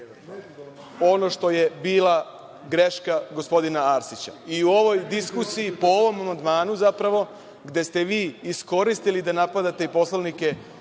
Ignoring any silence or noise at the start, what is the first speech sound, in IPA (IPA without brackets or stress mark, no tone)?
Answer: o̞